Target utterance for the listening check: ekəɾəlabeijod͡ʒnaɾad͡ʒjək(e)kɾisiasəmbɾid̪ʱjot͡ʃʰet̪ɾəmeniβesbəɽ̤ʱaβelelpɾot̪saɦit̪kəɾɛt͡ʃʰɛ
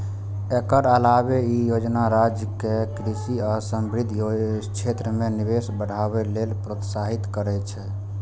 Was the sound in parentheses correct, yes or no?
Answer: yes